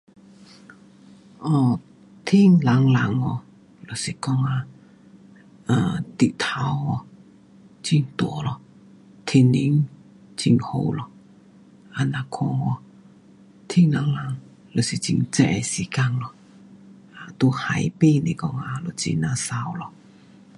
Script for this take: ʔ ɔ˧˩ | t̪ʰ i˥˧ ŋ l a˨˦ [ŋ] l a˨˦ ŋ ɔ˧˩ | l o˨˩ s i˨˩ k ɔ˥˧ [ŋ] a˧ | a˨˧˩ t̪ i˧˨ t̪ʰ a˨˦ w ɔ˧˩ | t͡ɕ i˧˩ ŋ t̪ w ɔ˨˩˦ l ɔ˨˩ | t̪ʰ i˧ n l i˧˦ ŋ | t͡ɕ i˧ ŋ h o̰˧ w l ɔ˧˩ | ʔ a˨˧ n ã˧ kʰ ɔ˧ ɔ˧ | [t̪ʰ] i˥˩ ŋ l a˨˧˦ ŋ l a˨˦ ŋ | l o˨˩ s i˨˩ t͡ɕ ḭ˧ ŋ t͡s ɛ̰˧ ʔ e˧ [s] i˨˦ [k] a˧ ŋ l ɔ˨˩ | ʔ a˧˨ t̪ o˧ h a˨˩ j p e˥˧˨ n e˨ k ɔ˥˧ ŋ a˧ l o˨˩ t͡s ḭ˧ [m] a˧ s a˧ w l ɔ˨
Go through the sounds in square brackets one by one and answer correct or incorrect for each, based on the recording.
correct, correct, correct, correct, correct, incorrect

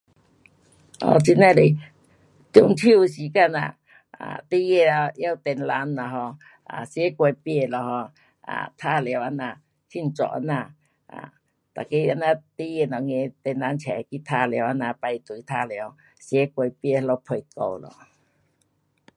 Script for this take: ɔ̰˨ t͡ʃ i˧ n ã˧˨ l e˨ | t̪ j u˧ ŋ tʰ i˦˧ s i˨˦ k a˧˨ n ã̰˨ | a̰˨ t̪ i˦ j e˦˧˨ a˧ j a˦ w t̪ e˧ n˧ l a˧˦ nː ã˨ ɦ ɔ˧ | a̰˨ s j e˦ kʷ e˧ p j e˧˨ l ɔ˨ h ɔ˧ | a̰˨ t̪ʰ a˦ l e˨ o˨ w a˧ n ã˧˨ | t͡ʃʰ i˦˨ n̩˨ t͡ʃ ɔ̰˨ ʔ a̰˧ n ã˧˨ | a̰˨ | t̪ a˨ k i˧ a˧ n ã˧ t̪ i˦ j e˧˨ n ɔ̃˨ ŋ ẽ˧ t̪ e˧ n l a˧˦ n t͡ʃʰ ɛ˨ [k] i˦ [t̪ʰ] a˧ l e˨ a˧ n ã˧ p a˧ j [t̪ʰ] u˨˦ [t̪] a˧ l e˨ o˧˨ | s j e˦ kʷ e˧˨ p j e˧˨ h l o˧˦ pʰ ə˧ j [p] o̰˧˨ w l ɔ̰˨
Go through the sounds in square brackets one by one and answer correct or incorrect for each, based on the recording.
correct, correct, incorrect, incorrect, incorrect

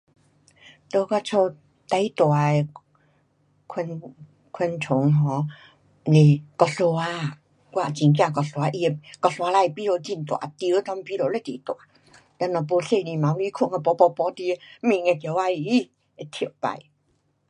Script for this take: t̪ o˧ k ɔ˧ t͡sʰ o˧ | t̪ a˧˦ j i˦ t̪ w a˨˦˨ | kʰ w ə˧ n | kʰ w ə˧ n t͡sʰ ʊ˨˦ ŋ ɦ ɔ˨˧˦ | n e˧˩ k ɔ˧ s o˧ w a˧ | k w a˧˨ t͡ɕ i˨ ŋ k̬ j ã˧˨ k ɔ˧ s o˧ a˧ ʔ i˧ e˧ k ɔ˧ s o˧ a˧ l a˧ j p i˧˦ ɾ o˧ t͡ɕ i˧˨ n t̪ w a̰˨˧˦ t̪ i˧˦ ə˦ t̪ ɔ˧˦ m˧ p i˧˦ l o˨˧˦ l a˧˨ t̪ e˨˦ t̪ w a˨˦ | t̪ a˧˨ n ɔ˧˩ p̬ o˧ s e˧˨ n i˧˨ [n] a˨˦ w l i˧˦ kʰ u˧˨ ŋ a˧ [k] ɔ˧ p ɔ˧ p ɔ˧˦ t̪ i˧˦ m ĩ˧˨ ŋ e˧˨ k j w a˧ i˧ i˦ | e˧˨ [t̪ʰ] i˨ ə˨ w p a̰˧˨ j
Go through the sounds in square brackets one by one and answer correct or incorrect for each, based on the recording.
incorrect, incorrect, correct

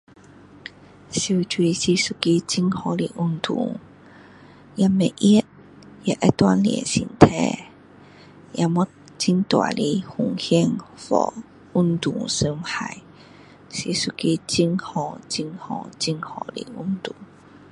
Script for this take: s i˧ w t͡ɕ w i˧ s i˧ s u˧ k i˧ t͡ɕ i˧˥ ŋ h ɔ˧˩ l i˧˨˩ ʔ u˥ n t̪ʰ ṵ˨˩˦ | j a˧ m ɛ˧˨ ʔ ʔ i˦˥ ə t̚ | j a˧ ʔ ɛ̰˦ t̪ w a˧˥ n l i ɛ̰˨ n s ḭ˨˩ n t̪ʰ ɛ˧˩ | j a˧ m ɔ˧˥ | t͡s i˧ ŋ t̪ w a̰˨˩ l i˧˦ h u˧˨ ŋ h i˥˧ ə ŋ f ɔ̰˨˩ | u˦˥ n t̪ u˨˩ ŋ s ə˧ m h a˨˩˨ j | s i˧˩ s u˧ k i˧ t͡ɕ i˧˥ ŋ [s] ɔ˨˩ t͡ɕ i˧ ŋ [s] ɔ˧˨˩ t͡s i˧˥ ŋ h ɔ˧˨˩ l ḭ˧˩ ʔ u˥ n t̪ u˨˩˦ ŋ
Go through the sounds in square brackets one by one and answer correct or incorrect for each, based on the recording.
incorrect, incorrect

